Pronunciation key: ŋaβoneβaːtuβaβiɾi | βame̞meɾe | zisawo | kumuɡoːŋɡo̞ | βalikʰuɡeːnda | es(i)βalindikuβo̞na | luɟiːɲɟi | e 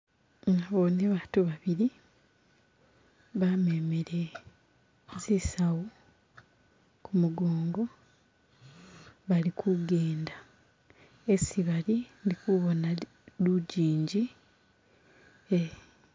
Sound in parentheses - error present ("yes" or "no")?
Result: no